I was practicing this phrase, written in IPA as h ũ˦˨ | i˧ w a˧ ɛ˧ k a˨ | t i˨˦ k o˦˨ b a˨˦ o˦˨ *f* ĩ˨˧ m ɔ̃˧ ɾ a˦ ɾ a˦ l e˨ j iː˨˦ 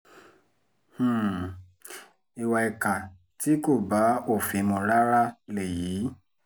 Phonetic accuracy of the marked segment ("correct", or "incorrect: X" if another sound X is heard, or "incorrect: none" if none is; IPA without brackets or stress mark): correct